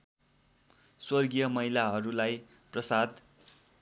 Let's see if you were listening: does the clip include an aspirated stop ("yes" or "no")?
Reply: no